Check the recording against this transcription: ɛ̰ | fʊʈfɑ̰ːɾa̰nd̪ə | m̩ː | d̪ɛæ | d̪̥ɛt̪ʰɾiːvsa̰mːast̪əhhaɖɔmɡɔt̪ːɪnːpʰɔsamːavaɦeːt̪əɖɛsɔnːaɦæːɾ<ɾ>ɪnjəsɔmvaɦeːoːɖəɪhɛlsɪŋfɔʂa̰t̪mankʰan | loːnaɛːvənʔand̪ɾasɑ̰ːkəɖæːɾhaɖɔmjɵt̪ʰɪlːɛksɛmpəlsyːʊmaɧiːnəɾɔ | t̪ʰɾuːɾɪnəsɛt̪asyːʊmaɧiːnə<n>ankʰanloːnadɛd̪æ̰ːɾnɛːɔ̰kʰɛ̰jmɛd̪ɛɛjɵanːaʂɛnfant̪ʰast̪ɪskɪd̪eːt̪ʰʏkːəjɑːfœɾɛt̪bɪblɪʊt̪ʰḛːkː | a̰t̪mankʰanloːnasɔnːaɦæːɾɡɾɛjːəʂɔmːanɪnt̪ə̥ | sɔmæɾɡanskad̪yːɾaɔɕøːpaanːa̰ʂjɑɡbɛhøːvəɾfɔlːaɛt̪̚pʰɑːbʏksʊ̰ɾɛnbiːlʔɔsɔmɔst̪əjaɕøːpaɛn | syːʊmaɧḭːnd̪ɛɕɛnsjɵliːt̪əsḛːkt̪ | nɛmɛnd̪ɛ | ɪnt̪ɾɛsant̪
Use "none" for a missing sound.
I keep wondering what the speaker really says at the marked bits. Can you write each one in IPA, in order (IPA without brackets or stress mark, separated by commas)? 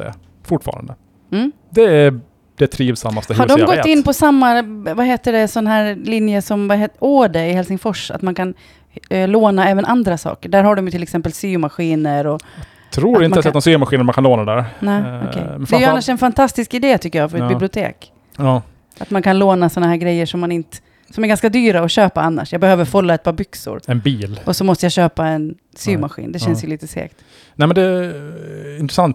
l, m